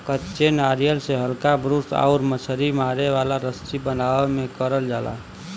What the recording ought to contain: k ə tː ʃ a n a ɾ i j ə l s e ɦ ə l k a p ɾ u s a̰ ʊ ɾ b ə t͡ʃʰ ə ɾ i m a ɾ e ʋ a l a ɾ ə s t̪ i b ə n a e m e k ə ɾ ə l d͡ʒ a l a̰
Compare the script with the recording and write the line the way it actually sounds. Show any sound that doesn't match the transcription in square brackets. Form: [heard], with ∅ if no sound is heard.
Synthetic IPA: k ə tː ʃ [e] n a ɾ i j ə l s e ɦ ə l k a [b] ɾ u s a̰ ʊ ɾ [m] ə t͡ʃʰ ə ɾ i m a ɾ e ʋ a l a ɾ ə s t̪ i b ə n a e m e k ə ɾ ə l d͡ʒ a l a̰